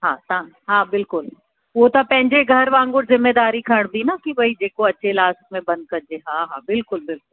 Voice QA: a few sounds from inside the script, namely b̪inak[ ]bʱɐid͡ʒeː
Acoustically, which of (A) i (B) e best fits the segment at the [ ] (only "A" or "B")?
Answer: A